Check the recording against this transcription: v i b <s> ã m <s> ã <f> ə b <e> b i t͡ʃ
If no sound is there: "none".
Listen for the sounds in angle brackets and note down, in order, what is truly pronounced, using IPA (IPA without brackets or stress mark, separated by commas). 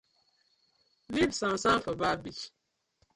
s, s, f, a